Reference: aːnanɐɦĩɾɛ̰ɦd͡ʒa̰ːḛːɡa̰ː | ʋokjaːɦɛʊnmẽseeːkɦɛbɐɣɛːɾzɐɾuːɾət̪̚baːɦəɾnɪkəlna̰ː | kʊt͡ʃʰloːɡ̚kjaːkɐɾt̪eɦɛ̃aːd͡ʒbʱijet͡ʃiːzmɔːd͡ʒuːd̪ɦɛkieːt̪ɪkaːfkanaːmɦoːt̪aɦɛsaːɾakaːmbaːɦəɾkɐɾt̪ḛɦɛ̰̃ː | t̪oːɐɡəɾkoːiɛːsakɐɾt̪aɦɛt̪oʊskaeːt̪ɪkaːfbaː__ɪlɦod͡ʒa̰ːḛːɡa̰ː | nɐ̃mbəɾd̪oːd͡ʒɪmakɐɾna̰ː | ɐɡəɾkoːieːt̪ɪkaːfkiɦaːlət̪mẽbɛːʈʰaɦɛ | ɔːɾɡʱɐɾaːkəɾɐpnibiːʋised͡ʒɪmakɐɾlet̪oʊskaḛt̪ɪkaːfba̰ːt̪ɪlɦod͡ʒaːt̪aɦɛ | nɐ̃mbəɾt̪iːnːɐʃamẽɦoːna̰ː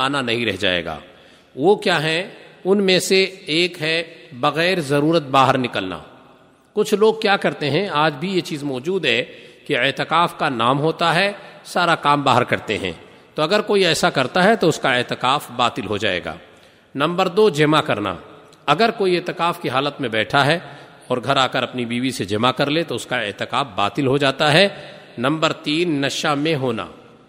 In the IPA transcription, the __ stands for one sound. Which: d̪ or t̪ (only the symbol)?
t̪